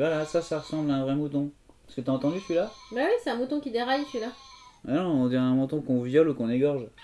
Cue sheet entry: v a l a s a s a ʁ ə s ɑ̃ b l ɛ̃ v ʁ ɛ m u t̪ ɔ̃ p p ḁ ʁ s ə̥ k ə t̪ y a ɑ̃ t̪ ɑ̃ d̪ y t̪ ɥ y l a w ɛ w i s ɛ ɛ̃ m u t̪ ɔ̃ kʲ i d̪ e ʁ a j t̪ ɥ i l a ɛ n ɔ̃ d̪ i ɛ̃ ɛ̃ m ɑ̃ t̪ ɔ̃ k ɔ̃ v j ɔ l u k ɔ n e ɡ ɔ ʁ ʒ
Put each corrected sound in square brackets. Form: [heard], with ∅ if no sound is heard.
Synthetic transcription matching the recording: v a l a s a s a ʁ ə s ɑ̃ b l ɛ̃ v ʁ ɛ m u t̪ ɔ̃ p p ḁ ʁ s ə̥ k ə t̪ y a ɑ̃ t̪ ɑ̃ d̪ y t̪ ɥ [i] l a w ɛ w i s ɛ ɛ̃ m u t̪ ɔ̃ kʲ i d̪ e ʁ a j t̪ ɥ i l a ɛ n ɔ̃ d̪ i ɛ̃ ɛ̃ m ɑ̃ t̪ ɔ̃ k ɔ̃ v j ɔ l u k [ɔ̃] n e ɡ ɔ ʁ ʒ